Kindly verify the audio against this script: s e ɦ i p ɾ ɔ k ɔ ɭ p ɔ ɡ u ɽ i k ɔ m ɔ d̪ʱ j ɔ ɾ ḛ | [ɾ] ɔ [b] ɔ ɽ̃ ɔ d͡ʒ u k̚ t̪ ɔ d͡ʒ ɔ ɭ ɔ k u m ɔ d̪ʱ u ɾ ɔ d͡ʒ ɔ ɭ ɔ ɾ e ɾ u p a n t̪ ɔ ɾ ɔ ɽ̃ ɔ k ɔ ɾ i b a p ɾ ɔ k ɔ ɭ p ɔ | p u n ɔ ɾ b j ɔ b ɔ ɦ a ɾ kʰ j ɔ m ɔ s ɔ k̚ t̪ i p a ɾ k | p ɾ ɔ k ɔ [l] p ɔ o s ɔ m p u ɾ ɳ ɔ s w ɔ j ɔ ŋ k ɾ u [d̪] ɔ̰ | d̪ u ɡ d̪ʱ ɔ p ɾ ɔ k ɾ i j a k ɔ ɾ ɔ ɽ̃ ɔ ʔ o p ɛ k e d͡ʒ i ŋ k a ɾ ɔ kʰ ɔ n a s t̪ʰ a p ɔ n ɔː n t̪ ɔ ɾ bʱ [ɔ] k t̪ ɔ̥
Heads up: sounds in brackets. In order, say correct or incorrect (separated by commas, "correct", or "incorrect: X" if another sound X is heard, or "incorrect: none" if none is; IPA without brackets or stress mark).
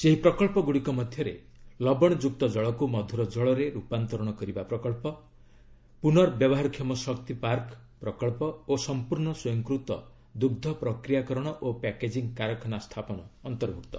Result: incorrect: l, correct, incorrect: ɭ, incorrect: t̪, incorrect: u